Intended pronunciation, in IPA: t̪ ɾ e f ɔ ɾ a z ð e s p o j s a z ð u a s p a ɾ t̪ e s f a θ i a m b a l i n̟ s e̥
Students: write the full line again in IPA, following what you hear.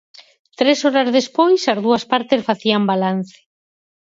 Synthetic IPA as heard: t̪ ɾ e s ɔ ɾ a z ð e s p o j s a z ð u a s p a ɾ t̪ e s f a θ i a m b a l a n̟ θ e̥

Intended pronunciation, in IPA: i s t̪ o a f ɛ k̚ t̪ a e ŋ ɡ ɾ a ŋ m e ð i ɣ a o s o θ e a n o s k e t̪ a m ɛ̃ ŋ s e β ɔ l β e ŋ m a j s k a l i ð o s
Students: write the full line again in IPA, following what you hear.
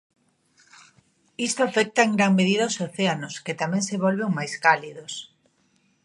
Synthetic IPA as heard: i s t̪ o a f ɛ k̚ t̪ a e ŋ ɡ ɾ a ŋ m e ð i ð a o s o θ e a n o s k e t̪ a m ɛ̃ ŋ s e β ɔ l β e ŋ m a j s k a l i ð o s

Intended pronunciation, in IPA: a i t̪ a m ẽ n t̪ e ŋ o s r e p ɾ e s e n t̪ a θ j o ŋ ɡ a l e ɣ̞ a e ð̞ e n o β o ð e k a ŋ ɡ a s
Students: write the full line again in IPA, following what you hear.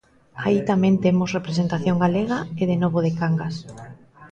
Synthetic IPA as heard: a i t̪ a m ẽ n t̪ e m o s r e p ɾ e s e n t̪ a θ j o ŋ ɡ a l e ɣ̞ a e ð̞ e n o β o ð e k a ŋ ɡ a s

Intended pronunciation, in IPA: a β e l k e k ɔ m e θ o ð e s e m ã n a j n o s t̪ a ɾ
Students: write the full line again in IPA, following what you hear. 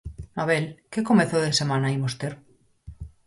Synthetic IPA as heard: a β e l k e k o m e θ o ð e s e m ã n a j m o s t̪ e ɾ

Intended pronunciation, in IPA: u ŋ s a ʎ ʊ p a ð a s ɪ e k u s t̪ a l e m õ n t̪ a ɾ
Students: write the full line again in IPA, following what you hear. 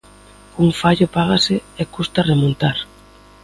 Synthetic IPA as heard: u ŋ f a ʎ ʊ p a ɣ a s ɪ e k u s t̪ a r e m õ n t̪ a ɾ

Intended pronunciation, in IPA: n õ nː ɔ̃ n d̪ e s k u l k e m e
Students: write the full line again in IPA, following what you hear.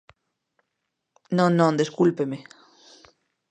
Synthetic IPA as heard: n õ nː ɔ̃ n d̪ e s k u l p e m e

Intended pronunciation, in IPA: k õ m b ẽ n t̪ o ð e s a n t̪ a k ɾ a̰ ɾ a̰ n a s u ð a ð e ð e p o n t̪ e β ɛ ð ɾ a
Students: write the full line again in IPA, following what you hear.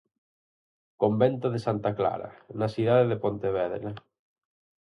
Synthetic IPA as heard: k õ m b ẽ n t̪ o ð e s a n t̪ a k l a̰ ɾ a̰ n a s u ð a ð e ð e p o n t̪ e β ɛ ð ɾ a

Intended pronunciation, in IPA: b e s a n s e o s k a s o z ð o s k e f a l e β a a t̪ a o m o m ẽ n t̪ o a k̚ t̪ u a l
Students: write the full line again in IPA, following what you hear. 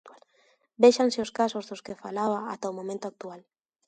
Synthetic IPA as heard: b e ʃ a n s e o s k a s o z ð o s k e f a l a β a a t̪ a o m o m ẽ n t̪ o a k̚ t̪ u a l

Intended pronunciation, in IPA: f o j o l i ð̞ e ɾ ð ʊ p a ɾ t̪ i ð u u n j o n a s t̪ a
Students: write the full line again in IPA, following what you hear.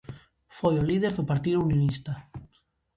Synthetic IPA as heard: f o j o l i ð̞ e ɾ ð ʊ p a ɾ t̪ i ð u u n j o n i s t̪ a

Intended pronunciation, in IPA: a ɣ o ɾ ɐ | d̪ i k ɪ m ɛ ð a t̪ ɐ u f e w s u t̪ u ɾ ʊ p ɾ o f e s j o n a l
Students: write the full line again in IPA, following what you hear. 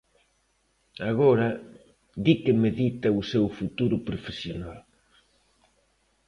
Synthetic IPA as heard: a ɣ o ɾ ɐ | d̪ i k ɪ m e ð i t̪ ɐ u s e w f u t̪ u ɾ ʊ p ɾ o f e s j o n a l

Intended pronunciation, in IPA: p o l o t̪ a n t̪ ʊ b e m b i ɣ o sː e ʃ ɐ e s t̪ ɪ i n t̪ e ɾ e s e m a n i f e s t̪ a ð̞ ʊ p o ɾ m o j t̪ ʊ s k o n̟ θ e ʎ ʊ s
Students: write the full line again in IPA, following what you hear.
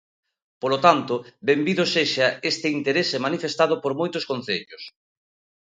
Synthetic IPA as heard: p o l o t̪ a n t̪ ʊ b e m b i ð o s e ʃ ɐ e s t̪ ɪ i n t̪ e ɾ e s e m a n i f e s t̪ a ð̞ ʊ p o ɾ m o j t̪ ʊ s k o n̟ θ e ʎ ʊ s

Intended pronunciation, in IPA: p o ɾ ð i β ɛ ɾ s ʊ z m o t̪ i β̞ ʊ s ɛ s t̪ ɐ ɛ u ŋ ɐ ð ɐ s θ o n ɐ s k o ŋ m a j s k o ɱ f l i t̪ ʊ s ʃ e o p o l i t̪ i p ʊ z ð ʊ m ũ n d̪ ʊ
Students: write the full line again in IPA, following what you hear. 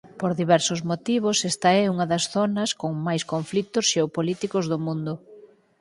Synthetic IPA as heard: p o ɾ ð i β ɛ ɾ s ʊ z m o t̪ i β̞ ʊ s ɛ s t̪ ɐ ɛ u ŋ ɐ ð ɐ s θ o n ɐ s k o ŋ m a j s k o ɱ f l i t̪ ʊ s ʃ e o p o l i t̪ i k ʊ z ð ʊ m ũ n d̪ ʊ

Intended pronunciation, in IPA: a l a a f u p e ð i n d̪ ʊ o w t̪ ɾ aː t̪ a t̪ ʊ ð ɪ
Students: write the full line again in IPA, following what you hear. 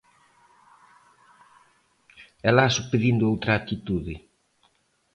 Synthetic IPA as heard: ɛ l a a s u p e ð i n d̪ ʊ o w t̪ ɾ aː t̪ i t̪ u ð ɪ

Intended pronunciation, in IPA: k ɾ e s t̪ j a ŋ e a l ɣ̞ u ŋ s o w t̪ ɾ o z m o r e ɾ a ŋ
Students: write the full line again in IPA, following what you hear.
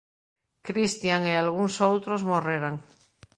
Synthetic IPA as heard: k ɾ i s t̪ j a ŋ e a l ɣ̞ u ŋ s o w t̪ ɾ o z m o r e ɾ a ŋ

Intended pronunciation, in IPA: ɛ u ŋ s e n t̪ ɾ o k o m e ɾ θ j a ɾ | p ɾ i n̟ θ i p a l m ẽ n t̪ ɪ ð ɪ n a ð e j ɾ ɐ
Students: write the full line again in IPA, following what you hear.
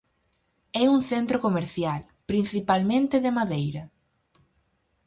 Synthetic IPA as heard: ɛ u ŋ θ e n t̪ ɾ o k o m e ɾ θ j a l | p ɾ i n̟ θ i p a l m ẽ n t̪ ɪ ð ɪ m a ð e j ɾ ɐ

